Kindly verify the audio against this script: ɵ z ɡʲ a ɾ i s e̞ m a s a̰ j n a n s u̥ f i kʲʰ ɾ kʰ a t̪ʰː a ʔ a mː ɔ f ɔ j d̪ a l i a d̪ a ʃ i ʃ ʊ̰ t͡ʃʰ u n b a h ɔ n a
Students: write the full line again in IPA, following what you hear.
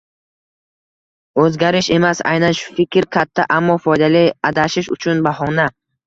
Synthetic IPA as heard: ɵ z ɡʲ a ɾ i ʃ e̞ m a s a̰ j n a n ʃ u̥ f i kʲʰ ɾ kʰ a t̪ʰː a ʔ a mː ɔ f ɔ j d̪ a l i a d̪ a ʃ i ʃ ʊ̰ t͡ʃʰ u n b a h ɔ n a